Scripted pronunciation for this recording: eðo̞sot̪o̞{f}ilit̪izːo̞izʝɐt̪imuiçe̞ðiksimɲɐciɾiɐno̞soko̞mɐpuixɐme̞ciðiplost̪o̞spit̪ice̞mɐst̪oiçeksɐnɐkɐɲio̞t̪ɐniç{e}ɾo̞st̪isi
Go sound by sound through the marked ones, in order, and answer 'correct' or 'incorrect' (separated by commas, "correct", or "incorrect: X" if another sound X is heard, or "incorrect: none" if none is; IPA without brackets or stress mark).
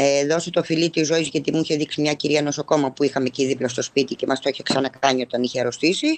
correct, correct